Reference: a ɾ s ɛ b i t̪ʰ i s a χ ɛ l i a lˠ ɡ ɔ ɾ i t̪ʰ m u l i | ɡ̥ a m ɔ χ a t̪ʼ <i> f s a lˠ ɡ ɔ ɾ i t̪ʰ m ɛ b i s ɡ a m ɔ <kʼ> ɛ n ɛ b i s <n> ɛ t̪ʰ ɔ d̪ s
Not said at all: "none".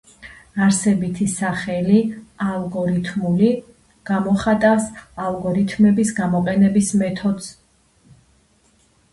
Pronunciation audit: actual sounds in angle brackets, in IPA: a, qʼ, m

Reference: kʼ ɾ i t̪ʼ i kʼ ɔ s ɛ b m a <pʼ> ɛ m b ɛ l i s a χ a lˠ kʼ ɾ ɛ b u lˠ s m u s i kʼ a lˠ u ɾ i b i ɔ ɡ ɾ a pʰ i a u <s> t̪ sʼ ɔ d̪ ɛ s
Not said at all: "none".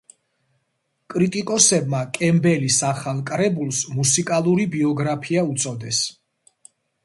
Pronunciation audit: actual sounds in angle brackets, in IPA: kʼ, none

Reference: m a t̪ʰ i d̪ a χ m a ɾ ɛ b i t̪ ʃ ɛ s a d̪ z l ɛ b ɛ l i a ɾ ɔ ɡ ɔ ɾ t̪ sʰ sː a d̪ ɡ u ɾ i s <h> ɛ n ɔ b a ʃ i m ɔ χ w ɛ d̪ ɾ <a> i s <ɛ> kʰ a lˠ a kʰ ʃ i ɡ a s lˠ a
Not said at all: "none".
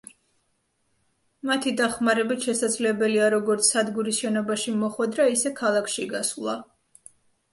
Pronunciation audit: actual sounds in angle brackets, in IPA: ʃ, a, ɛ

